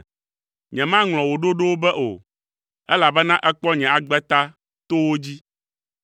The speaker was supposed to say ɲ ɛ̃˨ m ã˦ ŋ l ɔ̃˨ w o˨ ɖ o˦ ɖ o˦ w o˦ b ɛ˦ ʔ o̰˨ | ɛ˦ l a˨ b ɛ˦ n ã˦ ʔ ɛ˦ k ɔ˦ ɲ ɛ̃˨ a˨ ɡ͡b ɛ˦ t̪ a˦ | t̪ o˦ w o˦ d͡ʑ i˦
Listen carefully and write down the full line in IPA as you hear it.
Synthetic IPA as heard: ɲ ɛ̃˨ m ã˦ ŋ l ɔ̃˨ w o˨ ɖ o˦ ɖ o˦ w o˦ b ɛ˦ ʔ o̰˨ | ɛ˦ l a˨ b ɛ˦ n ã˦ ʔ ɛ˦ k͡p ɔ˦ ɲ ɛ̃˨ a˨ ɡ͡b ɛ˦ t̪ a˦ | t̪ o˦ w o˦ d͡ʑ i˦